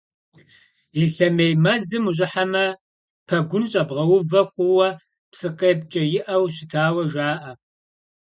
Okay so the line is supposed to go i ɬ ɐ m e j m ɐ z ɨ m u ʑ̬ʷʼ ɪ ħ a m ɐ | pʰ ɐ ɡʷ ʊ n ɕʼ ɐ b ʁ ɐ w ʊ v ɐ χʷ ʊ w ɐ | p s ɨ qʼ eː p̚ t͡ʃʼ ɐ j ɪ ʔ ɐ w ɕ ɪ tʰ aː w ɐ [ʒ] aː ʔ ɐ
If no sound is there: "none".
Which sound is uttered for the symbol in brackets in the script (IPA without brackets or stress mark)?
ʒ